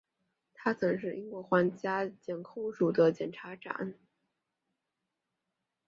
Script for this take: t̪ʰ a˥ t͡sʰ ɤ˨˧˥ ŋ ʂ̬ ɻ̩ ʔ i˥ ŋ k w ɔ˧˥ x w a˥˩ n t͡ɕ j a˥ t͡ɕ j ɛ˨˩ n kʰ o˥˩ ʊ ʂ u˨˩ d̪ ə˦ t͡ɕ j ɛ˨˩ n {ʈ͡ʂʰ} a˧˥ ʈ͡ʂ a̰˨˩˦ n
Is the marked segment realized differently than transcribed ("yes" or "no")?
no